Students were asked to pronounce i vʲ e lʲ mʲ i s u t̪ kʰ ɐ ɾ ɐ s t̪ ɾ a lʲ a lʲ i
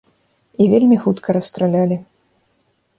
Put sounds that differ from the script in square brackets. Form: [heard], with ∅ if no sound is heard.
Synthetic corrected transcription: i vʲ e lʲ mʲ i [x] u t̪ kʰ ɐ ɾ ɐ s t̪ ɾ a lʲ a lʲ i